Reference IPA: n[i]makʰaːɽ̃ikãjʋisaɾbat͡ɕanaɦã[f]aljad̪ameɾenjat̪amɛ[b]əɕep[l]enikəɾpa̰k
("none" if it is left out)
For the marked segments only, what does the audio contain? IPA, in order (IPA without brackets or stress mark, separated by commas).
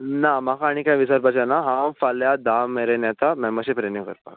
a, f, m, ɾ